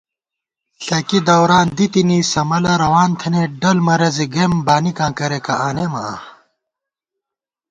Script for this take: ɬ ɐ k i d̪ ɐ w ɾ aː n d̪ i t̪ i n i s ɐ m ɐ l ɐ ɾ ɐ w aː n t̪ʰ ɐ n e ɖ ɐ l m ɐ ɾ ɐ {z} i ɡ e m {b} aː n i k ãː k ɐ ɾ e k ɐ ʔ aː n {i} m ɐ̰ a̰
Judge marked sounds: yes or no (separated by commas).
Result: yes, yes, no